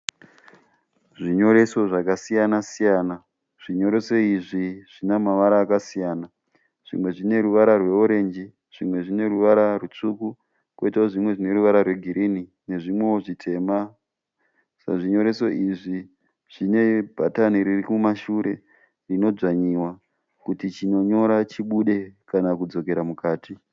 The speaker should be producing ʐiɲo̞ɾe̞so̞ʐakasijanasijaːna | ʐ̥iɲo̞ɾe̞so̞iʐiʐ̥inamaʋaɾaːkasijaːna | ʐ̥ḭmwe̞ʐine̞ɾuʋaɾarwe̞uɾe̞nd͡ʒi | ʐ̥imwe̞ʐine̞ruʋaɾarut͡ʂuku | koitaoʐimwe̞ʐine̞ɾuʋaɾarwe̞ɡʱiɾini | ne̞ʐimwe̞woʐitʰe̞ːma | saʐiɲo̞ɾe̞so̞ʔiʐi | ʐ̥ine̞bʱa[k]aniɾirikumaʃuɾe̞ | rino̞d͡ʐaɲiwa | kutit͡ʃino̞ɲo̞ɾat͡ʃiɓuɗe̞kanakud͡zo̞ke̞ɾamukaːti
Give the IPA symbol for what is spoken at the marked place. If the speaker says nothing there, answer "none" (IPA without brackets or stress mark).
t